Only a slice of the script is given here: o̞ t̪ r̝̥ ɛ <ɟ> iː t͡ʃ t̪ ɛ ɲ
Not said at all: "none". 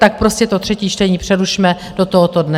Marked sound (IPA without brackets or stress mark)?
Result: c